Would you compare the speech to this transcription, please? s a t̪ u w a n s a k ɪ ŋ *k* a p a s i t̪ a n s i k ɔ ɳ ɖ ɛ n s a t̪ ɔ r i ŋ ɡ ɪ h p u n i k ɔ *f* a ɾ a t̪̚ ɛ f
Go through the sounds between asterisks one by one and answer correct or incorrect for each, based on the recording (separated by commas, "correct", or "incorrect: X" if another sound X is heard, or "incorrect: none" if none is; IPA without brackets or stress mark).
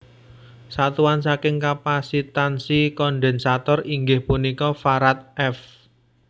correct, correct